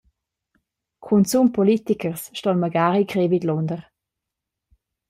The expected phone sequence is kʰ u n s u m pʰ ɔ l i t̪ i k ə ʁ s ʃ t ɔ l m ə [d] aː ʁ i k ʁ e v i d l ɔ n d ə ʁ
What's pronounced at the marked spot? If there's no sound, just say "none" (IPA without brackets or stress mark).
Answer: ɡ